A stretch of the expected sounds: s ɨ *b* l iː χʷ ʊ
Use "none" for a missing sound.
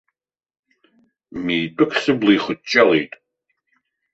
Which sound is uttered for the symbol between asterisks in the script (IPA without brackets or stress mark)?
b